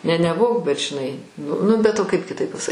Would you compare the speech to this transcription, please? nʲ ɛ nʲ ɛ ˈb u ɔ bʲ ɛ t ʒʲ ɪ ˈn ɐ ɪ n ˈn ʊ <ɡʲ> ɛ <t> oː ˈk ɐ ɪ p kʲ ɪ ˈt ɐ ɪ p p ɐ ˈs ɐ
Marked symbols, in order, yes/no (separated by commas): no, yes